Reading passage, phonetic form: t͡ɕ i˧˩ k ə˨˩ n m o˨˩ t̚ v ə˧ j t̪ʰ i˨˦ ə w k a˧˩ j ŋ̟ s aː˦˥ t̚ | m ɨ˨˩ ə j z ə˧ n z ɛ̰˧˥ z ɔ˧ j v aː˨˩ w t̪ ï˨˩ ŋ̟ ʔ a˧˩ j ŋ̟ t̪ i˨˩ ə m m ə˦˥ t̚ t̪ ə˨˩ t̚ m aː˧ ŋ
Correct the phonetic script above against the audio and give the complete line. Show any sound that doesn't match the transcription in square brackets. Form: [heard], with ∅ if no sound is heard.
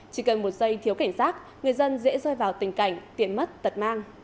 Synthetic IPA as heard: t͡ɕ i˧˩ k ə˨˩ n m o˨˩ t̚ [z] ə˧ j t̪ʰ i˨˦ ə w k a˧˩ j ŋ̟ s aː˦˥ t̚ | [ŋ] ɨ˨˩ ə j z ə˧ n z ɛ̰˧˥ z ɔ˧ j v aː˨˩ w t̪ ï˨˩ ŋ̟ [k] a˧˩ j ŋ̟ t̪ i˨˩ ə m m ə˦˥ t̚ t̪ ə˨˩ t̚ m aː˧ ŋ